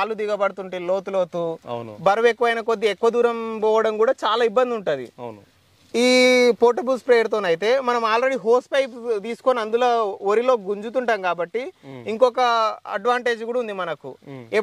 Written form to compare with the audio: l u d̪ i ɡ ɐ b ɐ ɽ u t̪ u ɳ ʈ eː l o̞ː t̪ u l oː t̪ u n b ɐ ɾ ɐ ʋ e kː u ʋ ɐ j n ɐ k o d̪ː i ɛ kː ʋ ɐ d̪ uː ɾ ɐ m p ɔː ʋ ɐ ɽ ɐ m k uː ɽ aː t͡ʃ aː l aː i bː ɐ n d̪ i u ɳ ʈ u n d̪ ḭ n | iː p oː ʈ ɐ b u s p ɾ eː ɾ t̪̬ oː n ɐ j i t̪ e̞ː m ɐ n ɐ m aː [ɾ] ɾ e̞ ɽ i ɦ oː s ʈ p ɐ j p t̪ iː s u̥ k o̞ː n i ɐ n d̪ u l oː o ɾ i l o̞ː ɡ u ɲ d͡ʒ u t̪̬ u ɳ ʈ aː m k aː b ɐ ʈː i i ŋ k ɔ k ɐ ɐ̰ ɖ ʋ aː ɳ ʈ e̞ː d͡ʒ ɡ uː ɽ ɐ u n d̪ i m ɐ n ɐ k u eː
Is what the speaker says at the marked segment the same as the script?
no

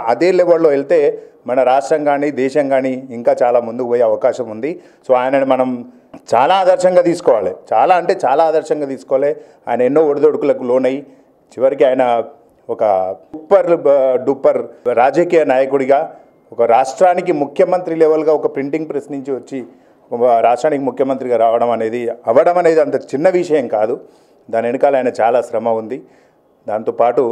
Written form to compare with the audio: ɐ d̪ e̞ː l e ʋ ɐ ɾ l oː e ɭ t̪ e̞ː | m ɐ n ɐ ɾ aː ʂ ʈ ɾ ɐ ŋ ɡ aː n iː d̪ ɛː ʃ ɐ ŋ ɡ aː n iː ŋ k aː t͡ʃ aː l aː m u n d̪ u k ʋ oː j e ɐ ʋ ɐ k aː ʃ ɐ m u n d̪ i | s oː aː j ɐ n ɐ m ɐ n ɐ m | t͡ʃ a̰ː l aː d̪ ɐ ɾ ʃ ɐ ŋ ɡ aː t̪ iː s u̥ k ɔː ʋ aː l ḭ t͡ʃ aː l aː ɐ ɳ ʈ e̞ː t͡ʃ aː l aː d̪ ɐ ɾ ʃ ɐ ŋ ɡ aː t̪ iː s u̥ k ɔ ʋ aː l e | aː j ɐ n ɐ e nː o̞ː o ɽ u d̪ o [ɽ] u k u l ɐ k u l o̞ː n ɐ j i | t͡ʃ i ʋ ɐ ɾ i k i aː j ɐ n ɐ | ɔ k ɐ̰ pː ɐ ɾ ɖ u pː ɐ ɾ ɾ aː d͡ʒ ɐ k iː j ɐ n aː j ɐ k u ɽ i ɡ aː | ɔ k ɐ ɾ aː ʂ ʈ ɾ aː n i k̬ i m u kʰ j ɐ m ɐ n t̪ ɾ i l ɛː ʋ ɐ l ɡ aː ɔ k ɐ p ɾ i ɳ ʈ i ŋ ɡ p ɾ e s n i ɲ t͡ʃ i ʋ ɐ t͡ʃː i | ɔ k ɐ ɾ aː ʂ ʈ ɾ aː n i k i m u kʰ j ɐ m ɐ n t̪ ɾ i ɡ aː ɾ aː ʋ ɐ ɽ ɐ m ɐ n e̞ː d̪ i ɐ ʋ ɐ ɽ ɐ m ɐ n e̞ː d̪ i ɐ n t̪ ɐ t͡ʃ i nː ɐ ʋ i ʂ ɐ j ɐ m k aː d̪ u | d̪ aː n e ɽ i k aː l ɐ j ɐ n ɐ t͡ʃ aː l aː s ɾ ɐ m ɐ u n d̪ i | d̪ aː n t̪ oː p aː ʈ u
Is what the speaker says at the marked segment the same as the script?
yes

